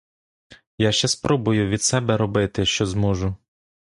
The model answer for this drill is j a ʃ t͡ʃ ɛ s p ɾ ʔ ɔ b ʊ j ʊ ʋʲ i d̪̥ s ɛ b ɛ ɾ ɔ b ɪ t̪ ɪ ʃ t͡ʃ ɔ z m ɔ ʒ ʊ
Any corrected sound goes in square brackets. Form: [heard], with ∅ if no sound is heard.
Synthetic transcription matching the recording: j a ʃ t͡ʃ ɛ s p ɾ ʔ ɔ b ʊ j ʊ ʋʲ i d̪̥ s ɛ b ɛ ɾ ɔ b ɪ t̪ ɪ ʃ t͡ʃ ɔ z m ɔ ʒ ʊ